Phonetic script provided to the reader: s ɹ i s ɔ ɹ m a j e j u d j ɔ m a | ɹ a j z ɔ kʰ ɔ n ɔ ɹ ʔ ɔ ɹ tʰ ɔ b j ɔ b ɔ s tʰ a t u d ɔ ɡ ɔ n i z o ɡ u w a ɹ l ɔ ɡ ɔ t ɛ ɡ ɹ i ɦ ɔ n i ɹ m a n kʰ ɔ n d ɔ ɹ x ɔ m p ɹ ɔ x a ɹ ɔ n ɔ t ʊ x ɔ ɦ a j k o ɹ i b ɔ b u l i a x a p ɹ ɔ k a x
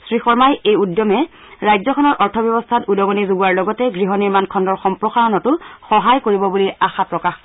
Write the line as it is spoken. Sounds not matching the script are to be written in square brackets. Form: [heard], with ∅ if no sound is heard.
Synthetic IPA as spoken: s ɹ i [x] ɔ ɹ m a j e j u d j ɔ m [ɛ] | ɹ a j z ɔ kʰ ɔ n ɔ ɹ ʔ ɔ ɹ tʰ ɔ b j ɔ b ɔ s tʰ a t u d ɔ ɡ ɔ n i z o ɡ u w a ɹ l ɔ ɡ ɔ t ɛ ɡ ɹ i ɦ ɔ n i ɹ m a n kʰ ɔ n d ɔ ɹ x ɔ m p ɹ ɔ x a ɹ ɔ n ɔ t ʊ x ɔ ɦ a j k o ɹ i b ɔ b u l i a x a p ɹ ɔ k a x